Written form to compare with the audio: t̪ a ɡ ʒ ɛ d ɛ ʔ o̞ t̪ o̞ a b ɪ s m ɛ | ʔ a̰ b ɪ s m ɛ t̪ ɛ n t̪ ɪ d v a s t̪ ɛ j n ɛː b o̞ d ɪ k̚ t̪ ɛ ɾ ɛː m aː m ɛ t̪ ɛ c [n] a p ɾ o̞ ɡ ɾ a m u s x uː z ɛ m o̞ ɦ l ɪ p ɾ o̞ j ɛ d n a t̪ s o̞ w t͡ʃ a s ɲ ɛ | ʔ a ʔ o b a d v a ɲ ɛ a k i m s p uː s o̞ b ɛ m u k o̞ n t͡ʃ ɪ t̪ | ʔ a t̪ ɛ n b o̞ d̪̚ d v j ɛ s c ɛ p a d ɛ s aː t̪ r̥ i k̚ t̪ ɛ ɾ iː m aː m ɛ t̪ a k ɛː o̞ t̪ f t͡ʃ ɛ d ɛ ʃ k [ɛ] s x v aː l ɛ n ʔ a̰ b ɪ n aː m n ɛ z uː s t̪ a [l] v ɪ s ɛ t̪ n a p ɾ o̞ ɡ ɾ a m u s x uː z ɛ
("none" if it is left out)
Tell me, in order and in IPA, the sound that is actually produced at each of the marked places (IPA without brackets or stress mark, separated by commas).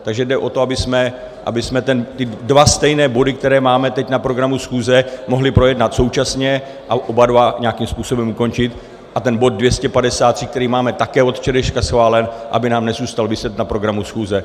n, a, l